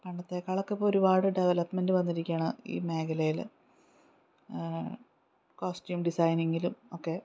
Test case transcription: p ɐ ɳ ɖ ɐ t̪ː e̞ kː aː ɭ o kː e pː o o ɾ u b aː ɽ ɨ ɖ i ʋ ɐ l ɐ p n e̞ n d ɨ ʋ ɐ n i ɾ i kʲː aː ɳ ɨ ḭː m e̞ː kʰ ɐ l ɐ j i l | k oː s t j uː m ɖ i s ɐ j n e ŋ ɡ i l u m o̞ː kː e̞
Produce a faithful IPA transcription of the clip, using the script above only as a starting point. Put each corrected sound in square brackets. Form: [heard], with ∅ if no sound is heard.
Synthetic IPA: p ɐ ɳ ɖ ɐ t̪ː e̞ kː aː ɭ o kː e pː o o ɾ u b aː ɽ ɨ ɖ [e] ʋ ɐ l ɐ p [m] e̞ n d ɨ ʋ ɐ [nː] i ɾ i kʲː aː ɳ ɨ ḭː m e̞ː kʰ ɐ l ɐ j i l | k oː s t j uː m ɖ i s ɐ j n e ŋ ɡ i l u m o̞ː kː e̞